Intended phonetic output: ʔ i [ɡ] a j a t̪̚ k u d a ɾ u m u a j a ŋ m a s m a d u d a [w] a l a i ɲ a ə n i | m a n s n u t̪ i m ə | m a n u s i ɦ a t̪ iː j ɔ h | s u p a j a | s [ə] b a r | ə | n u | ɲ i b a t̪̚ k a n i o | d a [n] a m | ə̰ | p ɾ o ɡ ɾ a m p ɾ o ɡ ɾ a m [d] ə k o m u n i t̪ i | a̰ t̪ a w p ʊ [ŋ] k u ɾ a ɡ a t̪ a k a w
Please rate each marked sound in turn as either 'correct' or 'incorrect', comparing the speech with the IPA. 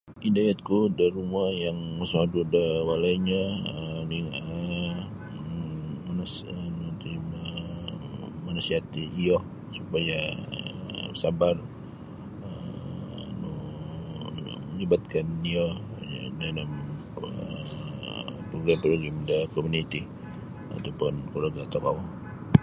incorrect, correct, incorrect, correct, correct, incorrect

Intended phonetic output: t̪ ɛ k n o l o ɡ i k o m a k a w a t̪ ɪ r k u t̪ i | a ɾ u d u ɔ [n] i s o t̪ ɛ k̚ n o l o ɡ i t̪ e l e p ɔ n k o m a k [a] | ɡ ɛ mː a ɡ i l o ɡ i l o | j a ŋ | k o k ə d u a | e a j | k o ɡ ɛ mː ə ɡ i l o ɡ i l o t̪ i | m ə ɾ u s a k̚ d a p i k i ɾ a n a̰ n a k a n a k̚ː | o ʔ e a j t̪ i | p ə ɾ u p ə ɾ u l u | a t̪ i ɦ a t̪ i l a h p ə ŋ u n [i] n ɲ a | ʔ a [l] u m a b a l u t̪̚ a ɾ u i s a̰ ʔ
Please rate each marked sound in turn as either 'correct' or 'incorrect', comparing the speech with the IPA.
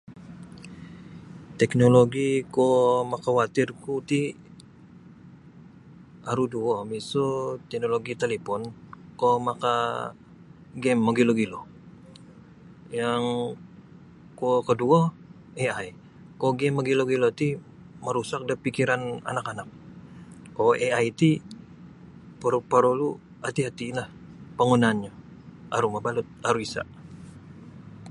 incorrect, correct, incorrect, incorrect

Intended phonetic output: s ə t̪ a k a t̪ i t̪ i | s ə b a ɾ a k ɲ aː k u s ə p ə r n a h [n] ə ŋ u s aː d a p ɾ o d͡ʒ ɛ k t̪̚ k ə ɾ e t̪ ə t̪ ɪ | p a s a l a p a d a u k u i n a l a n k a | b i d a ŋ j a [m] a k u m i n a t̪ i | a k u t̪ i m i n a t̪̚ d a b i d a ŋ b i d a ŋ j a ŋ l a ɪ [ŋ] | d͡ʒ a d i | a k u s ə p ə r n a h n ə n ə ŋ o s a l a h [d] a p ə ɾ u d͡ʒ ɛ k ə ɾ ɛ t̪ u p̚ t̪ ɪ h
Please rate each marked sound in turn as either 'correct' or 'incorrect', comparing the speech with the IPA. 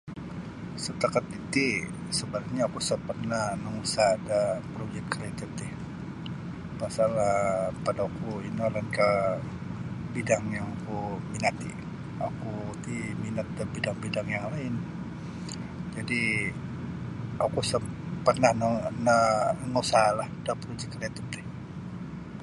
correct, incorrect, incorrect, correct

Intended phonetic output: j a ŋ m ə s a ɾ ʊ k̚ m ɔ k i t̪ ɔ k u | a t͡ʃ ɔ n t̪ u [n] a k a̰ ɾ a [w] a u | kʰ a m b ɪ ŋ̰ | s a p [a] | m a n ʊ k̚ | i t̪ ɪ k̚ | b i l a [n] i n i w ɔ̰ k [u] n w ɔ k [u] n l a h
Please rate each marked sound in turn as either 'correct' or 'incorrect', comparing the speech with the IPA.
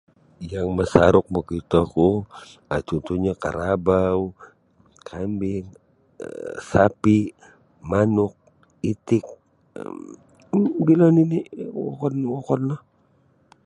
incorrect, incorrect, incorrect, correct, incorrect, incorrect

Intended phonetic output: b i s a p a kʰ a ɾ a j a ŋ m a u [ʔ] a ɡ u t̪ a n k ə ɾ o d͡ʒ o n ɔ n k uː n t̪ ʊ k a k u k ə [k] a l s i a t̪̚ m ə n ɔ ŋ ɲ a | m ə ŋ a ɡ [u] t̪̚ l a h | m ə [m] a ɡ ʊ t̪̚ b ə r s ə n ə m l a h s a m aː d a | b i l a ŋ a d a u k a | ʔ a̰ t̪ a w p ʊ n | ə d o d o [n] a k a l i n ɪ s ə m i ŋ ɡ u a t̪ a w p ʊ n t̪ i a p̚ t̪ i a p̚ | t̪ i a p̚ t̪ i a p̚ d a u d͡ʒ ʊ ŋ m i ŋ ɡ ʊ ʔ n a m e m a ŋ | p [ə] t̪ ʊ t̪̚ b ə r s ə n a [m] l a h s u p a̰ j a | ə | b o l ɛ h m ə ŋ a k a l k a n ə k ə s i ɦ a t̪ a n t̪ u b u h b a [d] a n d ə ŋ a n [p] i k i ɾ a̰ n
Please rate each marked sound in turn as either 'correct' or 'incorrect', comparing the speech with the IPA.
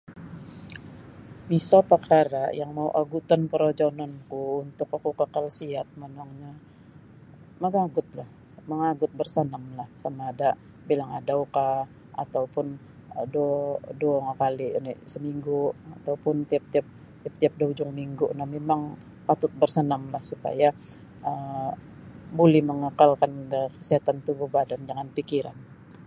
correct, correct, incorrect, incorrect, incorrect, incorrect, correct, correct, correct

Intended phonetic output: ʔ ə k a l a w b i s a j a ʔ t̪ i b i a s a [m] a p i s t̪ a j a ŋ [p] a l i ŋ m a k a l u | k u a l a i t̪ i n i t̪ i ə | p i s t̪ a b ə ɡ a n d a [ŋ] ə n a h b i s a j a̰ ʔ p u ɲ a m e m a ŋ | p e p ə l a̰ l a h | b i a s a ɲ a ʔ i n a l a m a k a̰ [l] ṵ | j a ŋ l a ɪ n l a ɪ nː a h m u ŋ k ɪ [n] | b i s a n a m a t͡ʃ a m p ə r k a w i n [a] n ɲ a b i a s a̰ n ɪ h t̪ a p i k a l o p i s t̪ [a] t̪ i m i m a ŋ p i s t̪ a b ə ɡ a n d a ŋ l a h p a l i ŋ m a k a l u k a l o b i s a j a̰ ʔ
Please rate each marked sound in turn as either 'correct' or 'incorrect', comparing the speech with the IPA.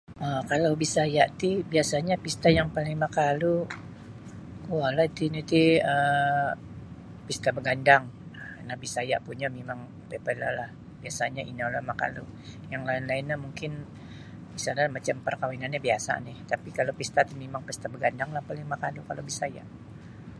incorrect, correct, correct, correct, correct, correct, correct

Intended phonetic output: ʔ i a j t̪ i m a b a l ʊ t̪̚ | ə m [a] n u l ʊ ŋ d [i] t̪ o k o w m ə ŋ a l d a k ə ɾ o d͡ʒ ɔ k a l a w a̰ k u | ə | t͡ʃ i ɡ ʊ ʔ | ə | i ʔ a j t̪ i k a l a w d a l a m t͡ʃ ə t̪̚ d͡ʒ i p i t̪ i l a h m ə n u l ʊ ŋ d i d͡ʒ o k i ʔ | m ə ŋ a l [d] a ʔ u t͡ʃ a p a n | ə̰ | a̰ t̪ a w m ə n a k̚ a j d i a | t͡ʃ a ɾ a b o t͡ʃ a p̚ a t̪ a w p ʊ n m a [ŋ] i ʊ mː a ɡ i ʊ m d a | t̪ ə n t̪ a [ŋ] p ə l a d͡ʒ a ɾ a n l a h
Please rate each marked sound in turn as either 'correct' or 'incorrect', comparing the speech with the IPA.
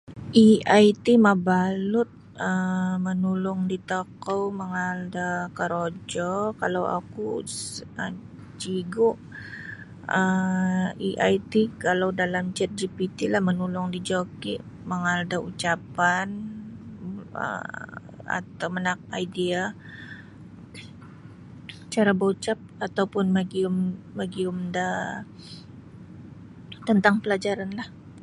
incorrect, correct, correct, incorrect, correct

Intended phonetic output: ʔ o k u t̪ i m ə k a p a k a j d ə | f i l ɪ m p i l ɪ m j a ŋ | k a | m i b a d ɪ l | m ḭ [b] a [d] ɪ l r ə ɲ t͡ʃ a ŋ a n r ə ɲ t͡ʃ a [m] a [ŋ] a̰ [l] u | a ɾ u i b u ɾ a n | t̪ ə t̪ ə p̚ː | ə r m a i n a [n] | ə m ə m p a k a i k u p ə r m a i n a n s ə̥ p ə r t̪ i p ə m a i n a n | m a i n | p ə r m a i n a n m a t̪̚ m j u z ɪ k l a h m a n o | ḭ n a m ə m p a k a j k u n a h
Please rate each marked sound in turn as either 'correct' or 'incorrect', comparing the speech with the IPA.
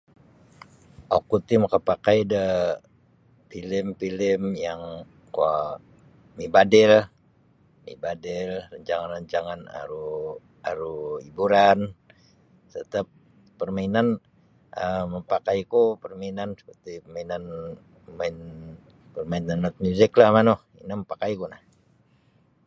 correct, correct, incorrect, incorrect, incorrect, correct

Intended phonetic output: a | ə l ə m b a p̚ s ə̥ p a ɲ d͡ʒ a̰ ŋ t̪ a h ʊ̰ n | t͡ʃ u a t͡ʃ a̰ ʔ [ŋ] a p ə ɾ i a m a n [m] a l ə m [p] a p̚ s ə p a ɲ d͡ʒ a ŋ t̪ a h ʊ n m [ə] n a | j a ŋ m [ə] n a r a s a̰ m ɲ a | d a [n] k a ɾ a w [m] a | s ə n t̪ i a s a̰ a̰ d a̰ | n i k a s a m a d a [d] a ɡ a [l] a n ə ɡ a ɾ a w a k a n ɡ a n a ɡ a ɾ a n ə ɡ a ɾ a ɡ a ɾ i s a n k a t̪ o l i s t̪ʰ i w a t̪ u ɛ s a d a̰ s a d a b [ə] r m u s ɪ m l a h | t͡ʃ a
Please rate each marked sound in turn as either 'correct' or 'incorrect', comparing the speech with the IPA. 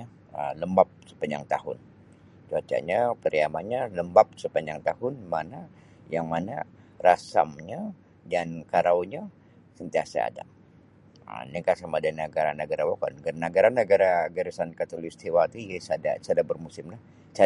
incorrect, incorrect, incorrect, incorrect, incorrect, correct, incorrect, incorrect, incorrect, correct

